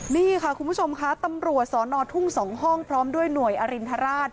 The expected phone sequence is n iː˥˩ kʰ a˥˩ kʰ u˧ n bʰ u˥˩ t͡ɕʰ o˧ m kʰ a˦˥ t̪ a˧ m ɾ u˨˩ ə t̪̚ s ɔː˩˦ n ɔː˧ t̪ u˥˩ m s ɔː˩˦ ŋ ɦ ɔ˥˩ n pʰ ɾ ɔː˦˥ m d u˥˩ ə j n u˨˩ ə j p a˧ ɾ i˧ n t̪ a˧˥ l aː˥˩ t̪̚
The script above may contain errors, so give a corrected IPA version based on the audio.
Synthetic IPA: n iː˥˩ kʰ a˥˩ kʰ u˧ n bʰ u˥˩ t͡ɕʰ o˧ m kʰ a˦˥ t̪ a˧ m ɾ u˨˩ ə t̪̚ s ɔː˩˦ n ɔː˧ t̪ʰ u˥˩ ŋ s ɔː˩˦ ŋ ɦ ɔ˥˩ ŋ pʰ ɾ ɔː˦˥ m d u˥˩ ə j n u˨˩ ə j ʔ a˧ ɾ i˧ n t̪ʰ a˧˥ ɾ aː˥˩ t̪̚